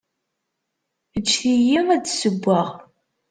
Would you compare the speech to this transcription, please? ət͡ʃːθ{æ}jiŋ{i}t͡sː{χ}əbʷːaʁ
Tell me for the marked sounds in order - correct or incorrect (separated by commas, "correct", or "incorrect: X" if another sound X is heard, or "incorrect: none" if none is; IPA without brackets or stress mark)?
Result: incorrect: i, incorrect: æ, incorrect: s